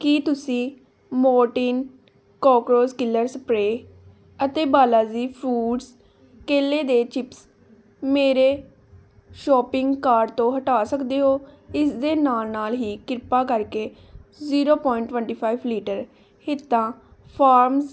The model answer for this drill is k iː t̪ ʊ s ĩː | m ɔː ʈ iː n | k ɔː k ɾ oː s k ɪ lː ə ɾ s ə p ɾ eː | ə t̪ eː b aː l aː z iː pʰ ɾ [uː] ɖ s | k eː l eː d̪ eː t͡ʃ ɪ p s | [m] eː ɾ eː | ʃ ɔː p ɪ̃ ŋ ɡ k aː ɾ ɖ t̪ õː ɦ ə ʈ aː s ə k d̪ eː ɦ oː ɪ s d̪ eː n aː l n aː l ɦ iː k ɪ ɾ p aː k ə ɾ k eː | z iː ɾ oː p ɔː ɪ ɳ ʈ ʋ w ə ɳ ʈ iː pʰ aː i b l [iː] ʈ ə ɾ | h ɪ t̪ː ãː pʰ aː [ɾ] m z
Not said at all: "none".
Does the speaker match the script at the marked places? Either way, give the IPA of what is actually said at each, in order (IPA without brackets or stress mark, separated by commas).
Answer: uː, m, iː, ɾ